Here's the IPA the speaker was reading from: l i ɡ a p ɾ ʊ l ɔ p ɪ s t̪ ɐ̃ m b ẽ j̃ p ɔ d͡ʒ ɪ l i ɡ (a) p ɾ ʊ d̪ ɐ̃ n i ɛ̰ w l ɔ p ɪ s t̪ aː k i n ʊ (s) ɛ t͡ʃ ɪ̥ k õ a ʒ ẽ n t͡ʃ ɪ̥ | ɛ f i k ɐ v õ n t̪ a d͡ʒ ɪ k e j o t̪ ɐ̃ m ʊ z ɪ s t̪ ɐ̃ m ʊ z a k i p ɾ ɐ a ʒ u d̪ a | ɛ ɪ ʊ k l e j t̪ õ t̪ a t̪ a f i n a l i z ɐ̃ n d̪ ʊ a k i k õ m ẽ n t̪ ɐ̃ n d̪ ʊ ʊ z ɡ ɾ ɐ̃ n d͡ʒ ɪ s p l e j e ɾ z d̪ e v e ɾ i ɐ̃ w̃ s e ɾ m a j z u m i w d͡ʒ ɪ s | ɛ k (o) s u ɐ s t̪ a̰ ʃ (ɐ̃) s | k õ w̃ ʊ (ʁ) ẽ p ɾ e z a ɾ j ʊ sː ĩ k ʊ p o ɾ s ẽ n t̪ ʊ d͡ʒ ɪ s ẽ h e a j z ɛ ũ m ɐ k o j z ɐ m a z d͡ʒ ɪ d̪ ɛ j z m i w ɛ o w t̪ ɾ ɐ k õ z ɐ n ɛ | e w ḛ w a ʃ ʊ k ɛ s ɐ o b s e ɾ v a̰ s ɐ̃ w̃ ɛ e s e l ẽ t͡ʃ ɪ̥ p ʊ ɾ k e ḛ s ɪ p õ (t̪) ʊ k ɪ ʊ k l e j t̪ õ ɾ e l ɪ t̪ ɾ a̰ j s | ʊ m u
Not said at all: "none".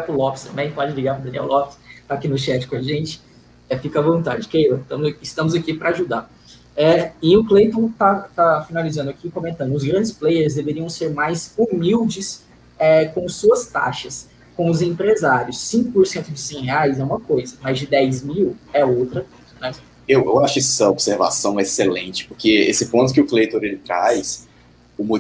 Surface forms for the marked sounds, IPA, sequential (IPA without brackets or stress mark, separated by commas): a, ʃ, õ, ɐ, z, t̪